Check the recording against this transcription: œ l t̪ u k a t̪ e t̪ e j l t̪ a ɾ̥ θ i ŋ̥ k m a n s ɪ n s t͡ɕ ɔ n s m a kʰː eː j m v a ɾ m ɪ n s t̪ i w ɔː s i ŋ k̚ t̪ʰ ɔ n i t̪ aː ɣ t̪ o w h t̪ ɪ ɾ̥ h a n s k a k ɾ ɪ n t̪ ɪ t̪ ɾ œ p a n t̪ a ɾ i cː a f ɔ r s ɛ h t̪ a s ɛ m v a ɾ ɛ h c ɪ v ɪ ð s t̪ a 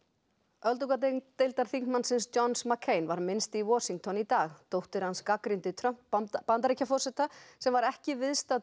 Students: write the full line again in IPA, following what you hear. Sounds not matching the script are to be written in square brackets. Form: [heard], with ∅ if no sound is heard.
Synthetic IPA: œ l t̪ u k a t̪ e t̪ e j l t̪ a ɾ̥ θ i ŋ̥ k m a n s ɪ n s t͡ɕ ɔ n s m a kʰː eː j [n] v a ɾ m ɪ n s t̪ i w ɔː s i ŋ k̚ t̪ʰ ɔ n i t̪ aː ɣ t̪ o w h t̪ ɪ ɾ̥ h a n s k a k ɾ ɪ n t̪ ɪ [t̪ʰ] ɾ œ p a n t̪ a ɾ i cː a f ɔ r s ɛ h t̪ a s ɛ m v a ɾ ɛ h c ɪ v ɪ ð s t̪ a